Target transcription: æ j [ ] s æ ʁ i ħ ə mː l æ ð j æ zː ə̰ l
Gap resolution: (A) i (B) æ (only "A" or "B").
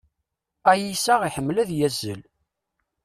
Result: A